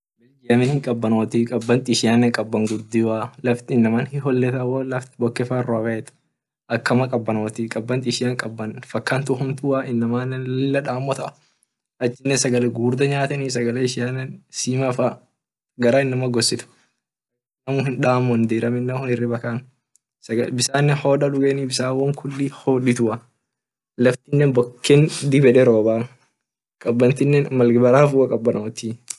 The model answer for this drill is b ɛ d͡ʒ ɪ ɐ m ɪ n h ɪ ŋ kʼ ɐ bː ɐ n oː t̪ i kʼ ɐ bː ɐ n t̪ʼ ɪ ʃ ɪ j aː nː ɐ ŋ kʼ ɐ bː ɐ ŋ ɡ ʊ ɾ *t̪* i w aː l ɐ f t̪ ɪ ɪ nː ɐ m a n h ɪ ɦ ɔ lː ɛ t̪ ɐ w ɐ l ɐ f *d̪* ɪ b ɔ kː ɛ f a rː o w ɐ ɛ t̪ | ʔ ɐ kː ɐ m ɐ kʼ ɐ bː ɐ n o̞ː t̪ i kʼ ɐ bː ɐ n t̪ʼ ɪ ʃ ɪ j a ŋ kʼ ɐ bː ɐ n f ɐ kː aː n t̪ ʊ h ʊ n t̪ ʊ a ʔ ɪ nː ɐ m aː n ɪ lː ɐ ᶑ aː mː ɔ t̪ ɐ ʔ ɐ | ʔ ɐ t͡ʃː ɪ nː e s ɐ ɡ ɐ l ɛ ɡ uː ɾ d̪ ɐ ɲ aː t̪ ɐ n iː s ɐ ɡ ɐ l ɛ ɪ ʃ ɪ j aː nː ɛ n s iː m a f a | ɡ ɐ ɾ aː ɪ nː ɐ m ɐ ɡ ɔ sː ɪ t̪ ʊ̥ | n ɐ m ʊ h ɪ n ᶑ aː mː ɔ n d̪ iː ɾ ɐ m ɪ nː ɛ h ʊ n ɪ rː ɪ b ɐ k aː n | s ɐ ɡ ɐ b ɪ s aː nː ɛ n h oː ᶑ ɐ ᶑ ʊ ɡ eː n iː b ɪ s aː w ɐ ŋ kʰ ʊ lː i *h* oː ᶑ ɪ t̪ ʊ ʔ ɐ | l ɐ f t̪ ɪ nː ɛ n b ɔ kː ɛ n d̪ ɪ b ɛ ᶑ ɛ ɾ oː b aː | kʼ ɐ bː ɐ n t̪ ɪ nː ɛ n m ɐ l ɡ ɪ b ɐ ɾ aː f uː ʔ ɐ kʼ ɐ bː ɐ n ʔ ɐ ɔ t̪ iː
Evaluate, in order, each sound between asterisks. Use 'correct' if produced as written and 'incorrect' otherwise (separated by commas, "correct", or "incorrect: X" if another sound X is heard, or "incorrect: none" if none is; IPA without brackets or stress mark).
incorrect: d̪, incorrect: t̪, correct